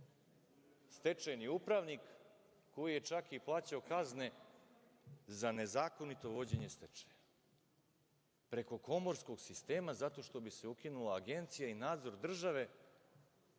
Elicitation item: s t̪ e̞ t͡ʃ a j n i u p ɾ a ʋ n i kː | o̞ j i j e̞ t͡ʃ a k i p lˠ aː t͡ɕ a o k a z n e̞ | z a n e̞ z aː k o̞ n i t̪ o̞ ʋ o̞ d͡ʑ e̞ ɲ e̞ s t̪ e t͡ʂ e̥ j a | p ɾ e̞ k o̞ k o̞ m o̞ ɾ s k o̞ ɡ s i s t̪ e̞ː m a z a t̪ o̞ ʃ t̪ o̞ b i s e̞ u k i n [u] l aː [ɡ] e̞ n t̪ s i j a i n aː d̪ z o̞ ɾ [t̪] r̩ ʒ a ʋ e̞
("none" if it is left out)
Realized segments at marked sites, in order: u, ɡ, d̪

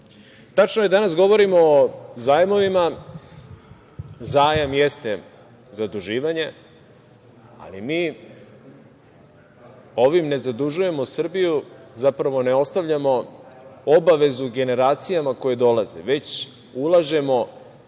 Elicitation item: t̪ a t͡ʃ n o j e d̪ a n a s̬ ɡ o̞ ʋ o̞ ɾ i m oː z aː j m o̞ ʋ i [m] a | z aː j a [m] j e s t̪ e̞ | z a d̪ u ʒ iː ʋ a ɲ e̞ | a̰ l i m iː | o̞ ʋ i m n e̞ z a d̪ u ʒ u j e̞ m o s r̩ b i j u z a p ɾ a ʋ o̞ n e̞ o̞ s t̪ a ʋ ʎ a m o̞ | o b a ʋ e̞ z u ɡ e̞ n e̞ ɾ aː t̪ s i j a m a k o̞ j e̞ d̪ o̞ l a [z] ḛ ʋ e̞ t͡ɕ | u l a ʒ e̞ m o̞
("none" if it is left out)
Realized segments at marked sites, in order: m, m, z

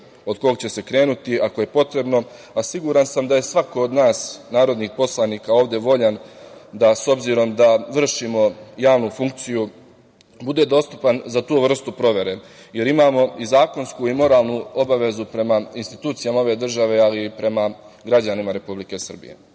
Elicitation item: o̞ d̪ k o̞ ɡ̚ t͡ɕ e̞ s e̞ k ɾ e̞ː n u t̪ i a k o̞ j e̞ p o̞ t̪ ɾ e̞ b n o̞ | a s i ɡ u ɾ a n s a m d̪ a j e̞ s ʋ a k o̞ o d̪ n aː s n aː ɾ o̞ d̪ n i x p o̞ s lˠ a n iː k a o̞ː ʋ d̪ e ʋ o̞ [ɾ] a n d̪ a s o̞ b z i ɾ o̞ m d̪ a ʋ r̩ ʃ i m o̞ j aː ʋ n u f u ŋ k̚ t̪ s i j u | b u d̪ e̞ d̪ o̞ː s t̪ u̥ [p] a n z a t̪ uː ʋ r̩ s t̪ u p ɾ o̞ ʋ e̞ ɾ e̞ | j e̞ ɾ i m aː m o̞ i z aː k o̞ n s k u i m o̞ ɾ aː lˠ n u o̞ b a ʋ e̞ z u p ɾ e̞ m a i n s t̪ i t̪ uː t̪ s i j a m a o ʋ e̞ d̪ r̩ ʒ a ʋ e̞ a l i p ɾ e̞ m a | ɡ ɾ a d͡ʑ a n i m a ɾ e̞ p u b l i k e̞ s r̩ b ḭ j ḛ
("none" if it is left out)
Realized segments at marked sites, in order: ʎ, p

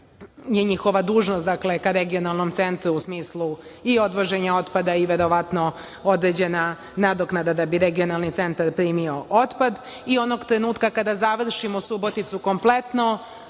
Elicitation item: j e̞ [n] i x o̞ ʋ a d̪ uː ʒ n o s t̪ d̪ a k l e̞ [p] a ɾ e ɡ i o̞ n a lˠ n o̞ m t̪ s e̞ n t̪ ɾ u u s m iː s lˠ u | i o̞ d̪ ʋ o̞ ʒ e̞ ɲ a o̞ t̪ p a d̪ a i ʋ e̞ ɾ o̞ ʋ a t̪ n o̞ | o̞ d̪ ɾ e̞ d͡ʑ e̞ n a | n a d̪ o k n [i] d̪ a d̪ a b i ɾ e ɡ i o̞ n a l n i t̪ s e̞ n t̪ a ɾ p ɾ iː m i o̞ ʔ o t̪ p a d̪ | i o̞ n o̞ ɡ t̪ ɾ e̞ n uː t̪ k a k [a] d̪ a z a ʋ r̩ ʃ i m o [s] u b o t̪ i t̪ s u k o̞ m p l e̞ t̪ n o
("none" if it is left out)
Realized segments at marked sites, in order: ɲ, k, a, a, s

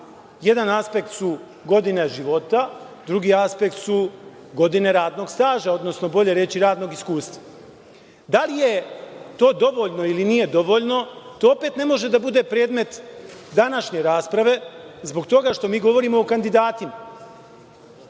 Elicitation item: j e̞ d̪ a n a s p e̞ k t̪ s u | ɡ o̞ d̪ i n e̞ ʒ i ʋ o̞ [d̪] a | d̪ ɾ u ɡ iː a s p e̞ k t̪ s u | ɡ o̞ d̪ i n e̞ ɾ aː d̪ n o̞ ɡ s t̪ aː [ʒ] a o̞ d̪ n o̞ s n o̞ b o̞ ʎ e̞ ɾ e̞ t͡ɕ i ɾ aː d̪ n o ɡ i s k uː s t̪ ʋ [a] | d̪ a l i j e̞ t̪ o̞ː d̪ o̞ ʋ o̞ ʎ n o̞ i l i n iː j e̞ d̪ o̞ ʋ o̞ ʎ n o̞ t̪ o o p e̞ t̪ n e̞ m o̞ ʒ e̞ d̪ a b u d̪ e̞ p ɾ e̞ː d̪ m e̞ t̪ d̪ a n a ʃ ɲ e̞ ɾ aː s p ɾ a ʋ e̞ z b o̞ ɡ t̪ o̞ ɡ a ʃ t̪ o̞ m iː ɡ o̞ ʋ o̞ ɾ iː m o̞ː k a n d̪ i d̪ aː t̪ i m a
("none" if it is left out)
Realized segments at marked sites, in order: t̪, ʒ, a

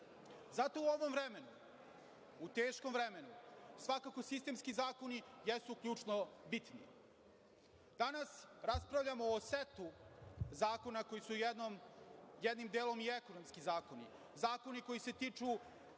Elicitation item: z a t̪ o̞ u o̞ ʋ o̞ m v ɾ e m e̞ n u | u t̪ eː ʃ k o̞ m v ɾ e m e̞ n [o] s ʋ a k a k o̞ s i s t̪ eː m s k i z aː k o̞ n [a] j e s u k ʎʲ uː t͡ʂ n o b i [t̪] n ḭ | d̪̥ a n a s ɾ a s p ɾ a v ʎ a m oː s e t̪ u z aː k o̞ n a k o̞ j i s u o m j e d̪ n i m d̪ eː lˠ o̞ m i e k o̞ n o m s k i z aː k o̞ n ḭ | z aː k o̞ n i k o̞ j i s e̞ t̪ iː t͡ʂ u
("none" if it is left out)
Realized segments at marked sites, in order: u, i, t̪

